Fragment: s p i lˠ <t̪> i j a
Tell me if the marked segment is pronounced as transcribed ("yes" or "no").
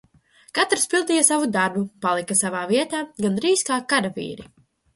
no